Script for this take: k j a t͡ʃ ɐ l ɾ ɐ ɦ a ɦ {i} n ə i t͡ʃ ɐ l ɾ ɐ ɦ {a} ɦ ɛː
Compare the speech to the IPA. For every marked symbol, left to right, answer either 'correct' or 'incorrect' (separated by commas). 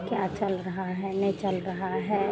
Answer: incorrect, correct